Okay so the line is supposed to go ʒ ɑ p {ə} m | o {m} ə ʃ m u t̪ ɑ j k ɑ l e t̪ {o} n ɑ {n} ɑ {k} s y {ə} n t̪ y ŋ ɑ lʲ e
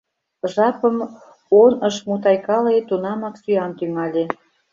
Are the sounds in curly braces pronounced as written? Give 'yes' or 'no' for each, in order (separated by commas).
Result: yes, no, no, no, yes, no